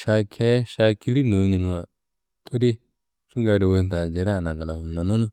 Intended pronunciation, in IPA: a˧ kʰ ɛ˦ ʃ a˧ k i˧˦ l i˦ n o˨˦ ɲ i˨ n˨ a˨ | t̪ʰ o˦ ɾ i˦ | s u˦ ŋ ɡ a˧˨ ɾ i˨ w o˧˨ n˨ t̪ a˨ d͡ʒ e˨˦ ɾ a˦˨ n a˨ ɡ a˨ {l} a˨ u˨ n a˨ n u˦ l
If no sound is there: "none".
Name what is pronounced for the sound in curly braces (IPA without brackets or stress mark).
l